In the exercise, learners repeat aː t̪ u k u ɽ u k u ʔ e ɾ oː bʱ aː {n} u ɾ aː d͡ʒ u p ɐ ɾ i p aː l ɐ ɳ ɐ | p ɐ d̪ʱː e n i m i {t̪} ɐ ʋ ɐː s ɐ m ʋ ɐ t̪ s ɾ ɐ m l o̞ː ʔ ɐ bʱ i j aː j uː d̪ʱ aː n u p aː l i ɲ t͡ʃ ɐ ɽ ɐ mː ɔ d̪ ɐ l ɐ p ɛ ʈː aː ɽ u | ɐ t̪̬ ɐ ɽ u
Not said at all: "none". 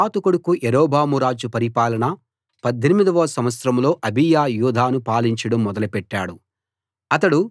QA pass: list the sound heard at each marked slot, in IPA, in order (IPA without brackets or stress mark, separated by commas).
m, d̪